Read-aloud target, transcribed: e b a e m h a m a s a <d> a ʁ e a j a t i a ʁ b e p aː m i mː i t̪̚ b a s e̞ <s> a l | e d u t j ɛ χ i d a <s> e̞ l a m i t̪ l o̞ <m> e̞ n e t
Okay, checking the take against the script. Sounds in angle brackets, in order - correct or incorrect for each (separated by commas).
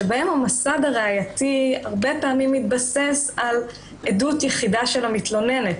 correct, correct, incorrect, incorrect